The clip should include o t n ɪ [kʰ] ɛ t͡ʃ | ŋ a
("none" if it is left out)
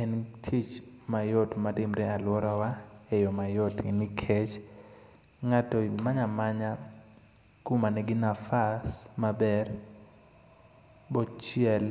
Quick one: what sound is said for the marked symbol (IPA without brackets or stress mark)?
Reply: kʰ